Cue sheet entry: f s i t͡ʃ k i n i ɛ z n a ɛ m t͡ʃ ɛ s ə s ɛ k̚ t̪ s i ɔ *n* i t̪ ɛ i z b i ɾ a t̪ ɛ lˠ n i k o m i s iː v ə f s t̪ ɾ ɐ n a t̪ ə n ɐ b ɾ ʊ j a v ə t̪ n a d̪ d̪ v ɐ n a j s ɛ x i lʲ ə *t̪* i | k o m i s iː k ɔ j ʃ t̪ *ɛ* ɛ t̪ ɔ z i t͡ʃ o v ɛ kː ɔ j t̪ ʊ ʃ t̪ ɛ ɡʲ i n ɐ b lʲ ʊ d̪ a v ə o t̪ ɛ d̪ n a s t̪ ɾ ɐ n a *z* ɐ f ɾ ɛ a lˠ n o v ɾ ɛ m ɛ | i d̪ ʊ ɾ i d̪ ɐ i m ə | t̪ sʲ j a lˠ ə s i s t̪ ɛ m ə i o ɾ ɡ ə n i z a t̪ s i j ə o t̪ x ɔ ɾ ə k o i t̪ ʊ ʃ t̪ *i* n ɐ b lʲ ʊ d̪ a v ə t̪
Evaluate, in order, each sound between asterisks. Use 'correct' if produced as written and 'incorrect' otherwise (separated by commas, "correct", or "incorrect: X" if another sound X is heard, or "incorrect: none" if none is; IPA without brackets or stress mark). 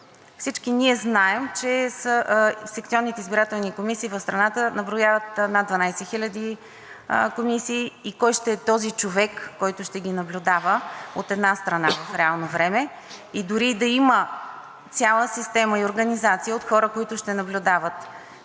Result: incorrect: nː, incorrect: d̪, correct, incorrect: v, incorrect: ɛ